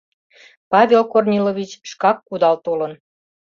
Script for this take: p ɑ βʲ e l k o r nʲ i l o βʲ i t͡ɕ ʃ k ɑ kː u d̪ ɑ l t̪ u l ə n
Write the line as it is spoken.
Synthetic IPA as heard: p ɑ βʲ e l k o r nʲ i l o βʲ i t͡ɕ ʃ k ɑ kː u d̪ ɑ l t̪ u l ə n